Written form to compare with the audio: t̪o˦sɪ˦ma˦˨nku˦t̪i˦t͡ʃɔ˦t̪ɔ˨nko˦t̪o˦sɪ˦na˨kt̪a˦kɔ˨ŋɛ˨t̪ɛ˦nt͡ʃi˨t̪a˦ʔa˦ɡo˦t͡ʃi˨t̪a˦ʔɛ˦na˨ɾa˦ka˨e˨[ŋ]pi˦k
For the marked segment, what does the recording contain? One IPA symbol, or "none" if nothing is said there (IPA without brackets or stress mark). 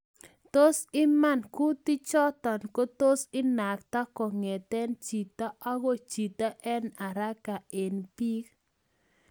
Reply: n